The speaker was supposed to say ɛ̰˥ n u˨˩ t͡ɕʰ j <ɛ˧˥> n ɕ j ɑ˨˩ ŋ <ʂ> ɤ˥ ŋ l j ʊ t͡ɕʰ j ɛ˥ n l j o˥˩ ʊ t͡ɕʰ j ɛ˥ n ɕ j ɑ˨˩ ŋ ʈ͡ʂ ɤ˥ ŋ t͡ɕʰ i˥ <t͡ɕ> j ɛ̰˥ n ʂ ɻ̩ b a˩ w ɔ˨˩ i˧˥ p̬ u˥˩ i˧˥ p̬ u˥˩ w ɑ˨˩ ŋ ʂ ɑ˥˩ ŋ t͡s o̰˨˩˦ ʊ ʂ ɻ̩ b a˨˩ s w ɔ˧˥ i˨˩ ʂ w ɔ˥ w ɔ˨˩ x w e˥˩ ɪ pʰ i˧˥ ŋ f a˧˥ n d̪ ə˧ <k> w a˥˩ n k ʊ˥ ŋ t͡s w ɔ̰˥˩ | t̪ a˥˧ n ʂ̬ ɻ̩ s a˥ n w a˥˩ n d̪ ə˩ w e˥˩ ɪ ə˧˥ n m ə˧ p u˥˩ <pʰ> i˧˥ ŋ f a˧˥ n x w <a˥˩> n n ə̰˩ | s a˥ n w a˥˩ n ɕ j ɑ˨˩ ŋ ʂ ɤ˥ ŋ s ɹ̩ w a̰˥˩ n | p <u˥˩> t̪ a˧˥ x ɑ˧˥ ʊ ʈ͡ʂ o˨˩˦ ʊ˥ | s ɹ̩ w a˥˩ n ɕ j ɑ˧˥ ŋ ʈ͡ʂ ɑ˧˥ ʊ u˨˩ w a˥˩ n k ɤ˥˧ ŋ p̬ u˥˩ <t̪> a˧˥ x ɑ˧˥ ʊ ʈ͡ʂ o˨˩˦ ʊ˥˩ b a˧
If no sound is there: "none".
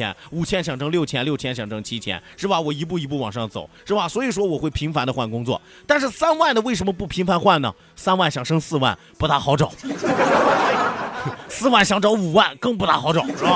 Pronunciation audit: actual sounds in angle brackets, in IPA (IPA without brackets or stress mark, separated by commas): ɛ˥, ʈ͡ʂ, t͡ɕʰ, x, pʰ, a˥˩, u˧˥, t̪